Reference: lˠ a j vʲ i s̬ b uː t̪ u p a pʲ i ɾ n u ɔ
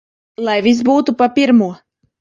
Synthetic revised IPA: lˠ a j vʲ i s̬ b uː t̪ u p a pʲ i ɾ m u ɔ